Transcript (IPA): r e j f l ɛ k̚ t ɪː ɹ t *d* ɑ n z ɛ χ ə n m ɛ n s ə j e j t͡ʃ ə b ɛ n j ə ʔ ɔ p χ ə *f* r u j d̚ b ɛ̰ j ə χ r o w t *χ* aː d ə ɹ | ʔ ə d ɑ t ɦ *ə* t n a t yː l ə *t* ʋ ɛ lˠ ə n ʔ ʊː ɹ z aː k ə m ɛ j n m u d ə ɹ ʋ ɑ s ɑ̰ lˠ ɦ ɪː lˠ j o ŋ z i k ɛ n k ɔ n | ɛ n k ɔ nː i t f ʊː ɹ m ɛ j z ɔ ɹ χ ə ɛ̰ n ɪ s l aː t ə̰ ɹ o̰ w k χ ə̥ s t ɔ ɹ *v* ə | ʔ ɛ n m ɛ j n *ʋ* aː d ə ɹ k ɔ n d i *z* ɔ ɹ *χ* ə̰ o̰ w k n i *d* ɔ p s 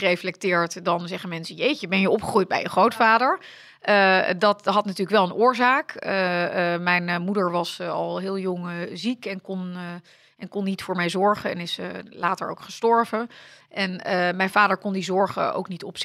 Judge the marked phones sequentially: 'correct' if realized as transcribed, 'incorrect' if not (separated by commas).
correct, incorrect, incorrect, incorrect, incorrect, correct, incorrect, correct, correct, incorrect